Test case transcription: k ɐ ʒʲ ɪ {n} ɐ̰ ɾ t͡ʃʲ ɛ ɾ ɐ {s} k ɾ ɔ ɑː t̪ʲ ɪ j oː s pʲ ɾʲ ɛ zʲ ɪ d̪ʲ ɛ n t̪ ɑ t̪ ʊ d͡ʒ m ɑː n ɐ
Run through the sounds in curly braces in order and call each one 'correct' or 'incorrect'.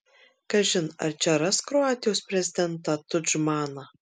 correct, correct

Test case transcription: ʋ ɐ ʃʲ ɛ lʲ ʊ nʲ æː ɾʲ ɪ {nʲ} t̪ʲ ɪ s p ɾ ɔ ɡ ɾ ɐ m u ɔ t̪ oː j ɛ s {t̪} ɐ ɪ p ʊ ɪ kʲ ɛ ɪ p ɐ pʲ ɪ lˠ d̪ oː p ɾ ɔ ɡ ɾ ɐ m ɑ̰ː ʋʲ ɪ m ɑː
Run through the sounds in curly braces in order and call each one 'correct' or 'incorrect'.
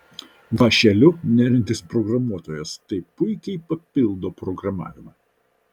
correct, correct

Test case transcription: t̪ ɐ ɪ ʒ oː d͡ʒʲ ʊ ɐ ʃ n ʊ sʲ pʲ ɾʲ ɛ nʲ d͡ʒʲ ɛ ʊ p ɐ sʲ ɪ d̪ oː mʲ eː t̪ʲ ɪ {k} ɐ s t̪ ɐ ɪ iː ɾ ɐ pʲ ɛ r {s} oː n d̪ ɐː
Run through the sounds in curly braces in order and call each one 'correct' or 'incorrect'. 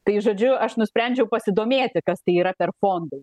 correct, incorrect: f

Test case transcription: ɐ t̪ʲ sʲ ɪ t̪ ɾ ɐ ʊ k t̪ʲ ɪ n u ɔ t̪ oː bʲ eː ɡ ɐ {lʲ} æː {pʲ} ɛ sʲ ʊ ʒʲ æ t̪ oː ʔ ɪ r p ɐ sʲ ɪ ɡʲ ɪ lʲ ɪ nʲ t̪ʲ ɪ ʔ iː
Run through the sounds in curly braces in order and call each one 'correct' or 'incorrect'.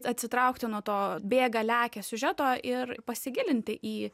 correct, incorrect: kʲ

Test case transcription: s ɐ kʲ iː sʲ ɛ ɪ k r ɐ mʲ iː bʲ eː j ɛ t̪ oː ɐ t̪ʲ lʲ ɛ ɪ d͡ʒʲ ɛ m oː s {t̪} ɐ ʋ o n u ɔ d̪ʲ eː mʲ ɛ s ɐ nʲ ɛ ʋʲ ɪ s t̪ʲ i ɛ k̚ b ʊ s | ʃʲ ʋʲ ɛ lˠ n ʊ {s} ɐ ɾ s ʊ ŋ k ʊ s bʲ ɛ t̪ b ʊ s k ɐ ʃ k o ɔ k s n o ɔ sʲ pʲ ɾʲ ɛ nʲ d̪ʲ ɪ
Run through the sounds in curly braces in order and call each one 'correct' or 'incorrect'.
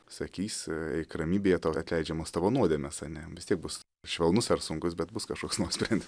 correct, correct

